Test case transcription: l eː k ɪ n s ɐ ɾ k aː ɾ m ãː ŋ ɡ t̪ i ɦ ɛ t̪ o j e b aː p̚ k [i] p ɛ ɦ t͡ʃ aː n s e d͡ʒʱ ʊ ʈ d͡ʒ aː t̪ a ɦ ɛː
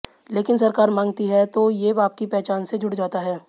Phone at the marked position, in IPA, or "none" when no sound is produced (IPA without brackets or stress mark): i